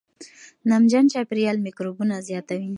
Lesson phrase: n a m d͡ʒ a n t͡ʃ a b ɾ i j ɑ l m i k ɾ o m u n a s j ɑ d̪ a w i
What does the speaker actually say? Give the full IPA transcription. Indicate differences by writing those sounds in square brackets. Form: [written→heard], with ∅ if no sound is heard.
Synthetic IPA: n a m d͡ʒ a n t͡ʃ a [b→p] ɾ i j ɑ l m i k ɾ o [m→b] u n a [s→z] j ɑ [d̪→t̪] a w i